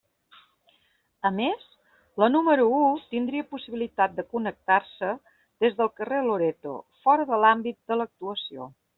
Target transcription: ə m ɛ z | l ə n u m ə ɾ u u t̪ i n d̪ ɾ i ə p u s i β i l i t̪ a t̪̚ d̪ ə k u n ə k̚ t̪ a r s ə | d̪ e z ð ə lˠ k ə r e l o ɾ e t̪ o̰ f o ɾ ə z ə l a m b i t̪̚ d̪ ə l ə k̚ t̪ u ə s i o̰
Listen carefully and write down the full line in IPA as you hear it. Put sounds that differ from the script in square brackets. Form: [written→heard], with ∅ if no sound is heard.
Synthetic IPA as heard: ə m [ɛ→e] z | l ə n u m ə ɾ u u t̪ i n d̪ ɾ i ə p u s i β i l i t̪ a t̪̚ d̪ ə k u n ə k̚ t̪ a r s ə | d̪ e z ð ə lˠ k ə r e l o ɾ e t̪ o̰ f [o→ɔ] ɾ ə [z→ð] ə l a m b i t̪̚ d̪ ə l ə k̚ t̪ u ə s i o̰